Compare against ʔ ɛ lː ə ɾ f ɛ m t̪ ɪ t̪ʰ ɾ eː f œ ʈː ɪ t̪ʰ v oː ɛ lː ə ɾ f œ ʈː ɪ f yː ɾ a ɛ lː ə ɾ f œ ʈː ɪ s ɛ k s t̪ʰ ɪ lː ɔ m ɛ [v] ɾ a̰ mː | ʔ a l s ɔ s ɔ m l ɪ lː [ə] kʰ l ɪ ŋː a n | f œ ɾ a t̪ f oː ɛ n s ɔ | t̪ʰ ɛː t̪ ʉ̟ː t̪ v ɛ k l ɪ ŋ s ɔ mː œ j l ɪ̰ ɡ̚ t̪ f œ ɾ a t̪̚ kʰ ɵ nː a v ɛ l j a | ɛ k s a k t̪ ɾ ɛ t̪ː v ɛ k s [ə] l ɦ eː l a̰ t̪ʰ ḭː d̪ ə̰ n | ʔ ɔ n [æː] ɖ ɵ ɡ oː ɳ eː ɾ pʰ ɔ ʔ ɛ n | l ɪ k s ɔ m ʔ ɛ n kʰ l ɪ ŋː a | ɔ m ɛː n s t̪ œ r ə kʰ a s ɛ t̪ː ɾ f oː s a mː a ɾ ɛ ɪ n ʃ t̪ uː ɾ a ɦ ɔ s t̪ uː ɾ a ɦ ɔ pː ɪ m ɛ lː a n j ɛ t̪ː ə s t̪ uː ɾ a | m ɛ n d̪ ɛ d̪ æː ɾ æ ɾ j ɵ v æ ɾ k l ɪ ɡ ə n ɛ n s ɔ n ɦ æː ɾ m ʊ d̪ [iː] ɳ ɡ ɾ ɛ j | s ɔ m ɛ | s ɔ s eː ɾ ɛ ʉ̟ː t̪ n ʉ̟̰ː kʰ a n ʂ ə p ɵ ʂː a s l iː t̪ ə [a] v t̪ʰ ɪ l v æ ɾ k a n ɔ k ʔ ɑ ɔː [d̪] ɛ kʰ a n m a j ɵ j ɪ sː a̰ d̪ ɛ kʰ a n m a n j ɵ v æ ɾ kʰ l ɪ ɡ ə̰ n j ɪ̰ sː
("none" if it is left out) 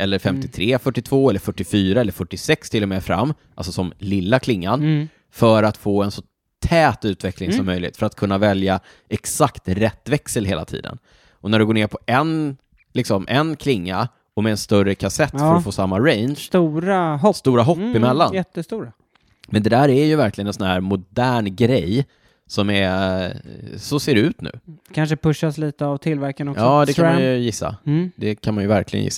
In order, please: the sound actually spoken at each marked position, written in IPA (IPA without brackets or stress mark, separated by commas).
f, a, ə, æ, æː, a, d̪